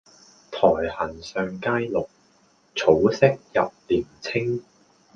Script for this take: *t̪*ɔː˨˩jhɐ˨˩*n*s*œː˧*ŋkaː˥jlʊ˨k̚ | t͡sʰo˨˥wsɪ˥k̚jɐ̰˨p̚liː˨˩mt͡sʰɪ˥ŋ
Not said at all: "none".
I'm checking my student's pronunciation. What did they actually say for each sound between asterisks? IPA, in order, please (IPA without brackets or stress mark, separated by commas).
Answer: t̪ʰ, n, œː˧